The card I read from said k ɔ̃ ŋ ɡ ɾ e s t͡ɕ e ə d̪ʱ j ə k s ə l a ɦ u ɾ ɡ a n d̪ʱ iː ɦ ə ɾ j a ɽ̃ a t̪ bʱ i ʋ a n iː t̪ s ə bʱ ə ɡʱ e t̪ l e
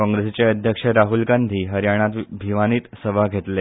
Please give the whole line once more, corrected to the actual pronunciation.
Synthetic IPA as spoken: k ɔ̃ ŋ ɡ ɾ e s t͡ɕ e ə d̪ʱ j ə k ʂ ə ɾ a ɦ u l ɡ a n d̪ʱ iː ɦ ə ɾ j a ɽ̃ a t̪ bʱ i ʋ a n iː t̪ s ə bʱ a ɡʱ e t̪ l e